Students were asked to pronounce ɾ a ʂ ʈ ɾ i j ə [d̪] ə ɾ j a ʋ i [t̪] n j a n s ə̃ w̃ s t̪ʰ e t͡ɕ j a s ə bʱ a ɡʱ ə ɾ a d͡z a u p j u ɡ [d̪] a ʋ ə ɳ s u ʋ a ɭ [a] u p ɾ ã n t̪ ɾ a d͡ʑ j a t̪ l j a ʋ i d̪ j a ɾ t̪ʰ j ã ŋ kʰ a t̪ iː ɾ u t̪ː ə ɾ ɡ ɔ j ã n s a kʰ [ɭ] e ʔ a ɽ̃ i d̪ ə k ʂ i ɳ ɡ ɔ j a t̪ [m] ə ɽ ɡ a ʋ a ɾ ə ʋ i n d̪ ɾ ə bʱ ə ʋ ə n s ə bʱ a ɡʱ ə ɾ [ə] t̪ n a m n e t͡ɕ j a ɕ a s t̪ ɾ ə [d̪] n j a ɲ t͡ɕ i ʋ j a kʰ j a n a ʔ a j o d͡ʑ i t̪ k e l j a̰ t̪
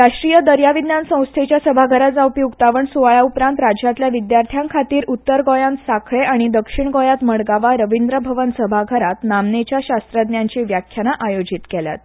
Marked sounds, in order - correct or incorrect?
correct, incorrect: d̪, incorrect: t̪, correct, correct, correct, incorrect: a, correct

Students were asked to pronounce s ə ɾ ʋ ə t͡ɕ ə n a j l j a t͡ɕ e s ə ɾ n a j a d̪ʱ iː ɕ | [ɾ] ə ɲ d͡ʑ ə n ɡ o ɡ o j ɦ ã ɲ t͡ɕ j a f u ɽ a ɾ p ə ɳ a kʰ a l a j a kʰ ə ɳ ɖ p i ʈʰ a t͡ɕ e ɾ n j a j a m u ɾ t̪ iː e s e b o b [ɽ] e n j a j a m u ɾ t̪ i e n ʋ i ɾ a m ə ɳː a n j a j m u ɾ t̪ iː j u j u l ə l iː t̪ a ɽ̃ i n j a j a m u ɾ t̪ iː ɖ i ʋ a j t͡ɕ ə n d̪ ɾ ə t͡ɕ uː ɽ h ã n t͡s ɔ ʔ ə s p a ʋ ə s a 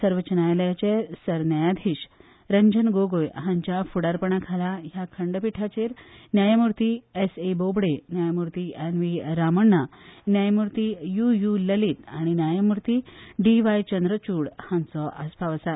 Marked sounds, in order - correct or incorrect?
correct, correct

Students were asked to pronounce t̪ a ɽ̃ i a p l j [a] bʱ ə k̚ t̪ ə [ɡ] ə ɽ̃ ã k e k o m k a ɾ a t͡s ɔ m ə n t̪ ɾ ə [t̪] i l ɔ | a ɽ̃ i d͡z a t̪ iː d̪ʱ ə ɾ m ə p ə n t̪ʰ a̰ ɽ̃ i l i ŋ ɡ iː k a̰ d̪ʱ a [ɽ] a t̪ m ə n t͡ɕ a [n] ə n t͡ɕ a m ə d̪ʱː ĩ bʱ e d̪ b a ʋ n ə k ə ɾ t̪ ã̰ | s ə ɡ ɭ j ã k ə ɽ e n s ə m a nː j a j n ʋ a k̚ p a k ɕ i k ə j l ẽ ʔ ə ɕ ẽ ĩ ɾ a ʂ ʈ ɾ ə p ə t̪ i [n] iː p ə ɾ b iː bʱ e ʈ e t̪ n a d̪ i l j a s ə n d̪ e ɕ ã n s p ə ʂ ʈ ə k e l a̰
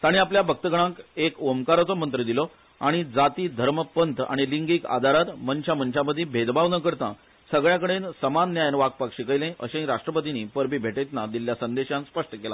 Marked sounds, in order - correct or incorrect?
correct, correct, incorrect: d̪, incorrect: ɾ, incorrect: m, correct

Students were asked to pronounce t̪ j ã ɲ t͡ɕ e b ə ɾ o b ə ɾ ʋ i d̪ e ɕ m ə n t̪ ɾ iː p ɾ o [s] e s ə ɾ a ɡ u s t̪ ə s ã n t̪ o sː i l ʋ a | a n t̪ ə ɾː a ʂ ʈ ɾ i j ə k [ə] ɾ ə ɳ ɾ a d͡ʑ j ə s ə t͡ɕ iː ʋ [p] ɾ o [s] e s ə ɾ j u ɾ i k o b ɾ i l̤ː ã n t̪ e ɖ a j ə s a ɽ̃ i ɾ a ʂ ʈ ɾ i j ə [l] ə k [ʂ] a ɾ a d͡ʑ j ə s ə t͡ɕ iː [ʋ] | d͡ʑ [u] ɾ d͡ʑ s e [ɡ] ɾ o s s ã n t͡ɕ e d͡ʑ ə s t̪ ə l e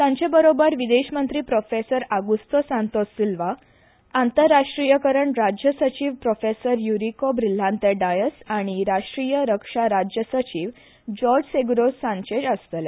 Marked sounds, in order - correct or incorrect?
incorrect: f, correct, correct, incorrect: f, incorrect: ɾ, correct, correct, incorrect: ɔ, correct

